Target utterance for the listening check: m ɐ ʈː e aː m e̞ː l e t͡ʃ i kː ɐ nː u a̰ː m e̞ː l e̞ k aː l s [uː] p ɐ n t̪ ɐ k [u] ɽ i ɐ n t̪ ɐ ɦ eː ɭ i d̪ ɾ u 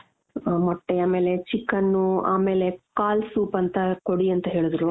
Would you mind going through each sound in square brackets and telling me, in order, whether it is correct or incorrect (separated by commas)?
correct, incorrect